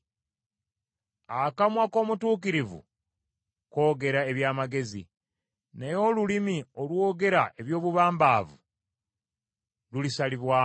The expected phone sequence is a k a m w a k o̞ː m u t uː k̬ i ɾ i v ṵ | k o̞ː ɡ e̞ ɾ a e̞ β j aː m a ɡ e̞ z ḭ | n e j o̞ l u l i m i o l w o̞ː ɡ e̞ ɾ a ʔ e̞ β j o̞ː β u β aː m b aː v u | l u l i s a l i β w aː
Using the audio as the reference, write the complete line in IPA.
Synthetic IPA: a k a m w a k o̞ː m u t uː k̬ i ɾ i v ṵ | k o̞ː ɡ e̞ ɾ a e̞ β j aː m a ɡ e̞ z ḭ | n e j o̞ l u l i m i o l w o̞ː ɡ e̞ ɾ a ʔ e̞ β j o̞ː β u β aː m b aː v u | l u l i s a l i β w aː